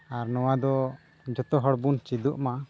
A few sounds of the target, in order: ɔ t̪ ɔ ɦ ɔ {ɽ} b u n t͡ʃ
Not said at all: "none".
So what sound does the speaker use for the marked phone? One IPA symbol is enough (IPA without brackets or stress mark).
ɽ